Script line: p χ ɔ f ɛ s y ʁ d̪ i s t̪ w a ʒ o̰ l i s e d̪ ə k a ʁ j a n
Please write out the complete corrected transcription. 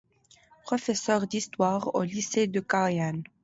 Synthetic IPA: p χ ɔ f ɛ s œ ʁ d̪ i s t̪ w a ʁ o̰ l i s e d̪ ə k a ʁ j a n